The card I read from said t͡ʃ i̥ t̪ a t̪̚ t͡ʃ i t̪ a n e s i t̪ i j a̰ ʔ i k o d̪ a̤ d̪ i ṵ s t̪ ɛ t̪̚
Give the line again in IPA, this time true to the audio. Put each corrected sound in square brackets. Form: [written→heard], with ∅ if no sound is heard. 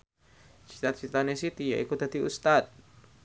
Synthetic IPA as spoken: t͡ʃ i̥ t̪ a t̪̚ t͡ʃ i t̪ a n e s i t̪ i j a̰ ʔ i k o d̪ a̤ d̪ i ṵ s t̪ [ɛ→a] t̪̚